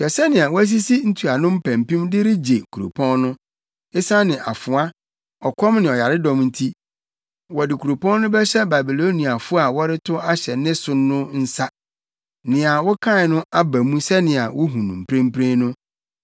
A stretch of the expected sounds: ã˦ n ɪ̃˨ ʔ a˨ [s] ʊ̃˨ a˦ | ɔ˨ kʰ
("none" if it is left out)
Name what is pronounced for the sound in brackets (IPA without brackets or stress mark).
f